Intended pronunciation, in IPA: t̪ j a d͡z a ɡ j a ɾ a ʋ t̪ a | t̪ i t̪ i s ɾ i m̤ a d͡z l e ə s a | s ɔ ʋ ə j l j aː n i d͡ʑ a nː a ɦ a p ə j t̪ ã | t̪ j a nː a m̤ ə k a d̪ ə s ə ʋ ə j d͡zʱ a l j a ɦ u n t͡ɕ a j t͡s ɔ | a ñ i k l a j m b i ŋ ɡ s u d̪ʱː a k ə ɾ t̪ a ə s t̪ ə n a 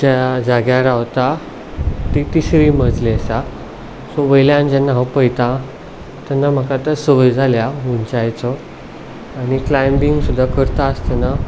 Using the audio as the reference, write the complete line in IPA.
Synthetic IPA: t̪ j a d͡z a ɡ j a ɾ a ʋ t̪ a | t̪ i t̪ i s ɾ i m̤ ə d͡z l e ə s a | s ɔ ʋ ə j l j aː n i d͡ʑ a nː a ɦ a p ə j t̪ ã | t̪ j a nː a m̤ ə k a t̪ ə s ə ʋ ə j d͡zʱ a l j a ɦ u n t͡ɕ a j t͡s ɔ | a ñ i k l a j m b i ŋ ɡ s u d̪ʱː a k ə ɾ t̪ a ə s t̪ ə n a

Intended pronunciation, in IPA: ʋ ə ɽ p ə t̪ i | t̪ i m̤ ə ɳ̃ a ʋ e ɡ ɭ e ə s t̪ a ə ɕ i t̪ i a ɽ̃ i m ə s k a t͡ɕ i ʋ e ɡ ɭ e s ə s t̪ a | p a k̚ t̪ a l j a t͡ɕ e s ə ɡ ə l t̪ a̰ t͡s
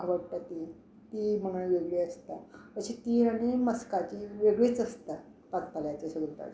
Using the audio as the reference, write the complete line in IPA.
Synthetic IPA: ʋ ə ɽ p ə t̪ i | t̪ i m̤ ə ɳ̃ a ʋ e ɡ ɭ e ə s t̪ a ə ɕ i t̪ i a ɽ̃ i m ə s k a t͡ɕ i ʋ e ɡ ɭ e t͡s ə s t̪ a | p a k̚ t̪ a l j a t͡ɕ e s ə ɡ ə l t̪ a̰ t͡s

